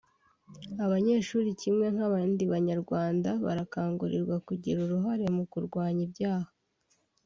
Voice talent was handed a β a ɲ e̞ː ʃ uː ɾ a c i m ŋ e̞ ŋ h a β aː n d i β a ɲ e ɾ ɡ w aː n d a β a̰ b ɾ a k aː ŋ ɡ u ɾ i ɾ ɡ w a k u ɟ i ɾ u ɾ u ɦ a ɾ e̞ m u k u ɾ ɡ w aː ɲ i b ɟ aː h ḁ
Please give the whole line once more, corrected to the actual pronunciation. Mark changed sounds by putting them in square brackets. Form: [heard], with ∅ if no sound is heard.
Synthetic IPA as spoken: a β a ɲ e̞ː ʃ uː ɾ [i] c i m ŋ e̞ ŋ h a β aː n d i β a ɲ [a] ɾ ɡ w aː n d a β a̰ [∅] ɾ a k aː ŋ ɡ u ɾ i ɾ ɡ w a k u ɟ i ɾ u ɾ u ɦ a ɾ e̞ m u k u ɾ ɡ w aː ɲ i b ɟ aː h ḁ